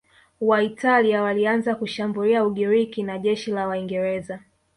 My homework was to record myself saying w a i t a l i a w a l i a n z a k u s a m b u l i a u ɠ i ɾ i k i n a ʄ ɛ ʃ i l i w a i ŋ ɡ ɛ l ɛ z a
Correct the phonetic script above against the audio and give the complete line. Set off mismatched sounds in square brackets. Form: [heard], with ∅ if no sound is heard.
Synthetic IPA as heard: w a i t a l i a w a l i a n z a k u [ʃ] a m b u l i a u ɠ i ɾ i k i n a ʄ ɛ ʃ i l [a] w a i ŋ ɡ ɛ [ɾ] ɛ z a